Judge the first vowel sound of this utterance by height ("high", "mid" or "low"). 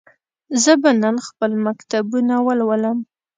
mid